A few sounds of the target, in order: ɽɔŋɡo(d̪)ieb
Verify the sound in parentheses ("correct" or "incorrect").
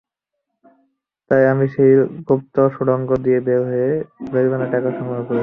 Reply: correct